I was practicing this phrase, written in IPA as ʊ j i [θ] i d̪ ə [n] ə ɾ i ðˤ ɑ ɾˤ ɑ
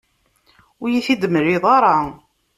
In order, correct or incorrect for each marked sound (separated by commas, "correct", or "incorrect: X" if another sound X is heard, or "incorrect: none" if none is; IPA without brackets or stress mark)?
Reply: correct, incorrect: m